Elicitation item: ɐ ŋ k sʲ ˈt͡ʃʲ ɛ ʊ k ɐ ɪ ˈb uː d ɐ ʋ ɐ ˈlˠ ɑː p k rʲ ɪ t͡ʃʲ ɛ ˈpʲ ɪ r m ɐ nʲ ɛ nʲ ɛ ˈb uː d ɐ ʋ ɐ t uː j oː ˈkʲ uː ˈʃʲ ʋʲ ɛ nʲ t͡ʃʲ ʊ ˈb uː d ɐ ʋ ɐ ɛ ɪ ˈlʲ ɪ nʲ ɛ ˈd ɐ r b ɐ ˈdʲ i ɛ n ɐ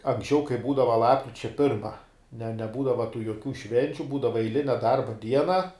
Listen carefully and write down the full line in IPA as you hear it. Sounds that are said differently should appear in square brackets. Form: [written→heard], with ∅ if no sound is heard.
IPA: ɐ ŋ k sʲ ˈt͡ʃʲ ɛ ʊ k ɐ ɪ ˈb uː d ɐ ʋ ɐ ˈlˠ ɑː p k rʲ ɪ t͡ʃʲ ɛ ˈpʲ ɪ r m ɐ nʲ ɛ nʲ ɛ ˈb uː d ɐ ʋ ɐ t uː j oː ˈkʲ uː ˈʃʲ ʋʲ ɛ nʲ t͡ʃʲ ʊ ˈb uː d ɐ ʋ ɐ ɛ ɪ ˈlʲ ɪ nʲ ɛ ˈd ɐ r b ɐ ˈdʲ i ɛ n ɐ